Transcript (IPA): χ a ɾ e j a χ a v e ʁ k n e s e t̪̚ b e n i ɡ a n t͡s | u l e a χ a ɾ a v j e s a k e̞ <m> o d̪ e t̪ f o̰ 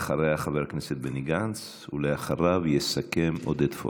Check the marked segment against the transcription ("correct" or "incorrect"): correct